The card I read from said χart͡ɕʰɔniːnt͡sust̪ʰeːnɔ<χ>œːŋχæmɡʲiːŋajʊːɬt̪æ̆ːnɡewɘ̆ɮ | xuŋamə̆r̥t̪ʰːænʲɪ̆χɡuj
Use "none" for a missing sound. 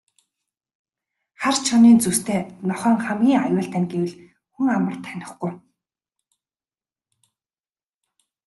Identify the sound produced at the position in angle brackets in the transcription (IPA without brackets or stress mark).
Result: χ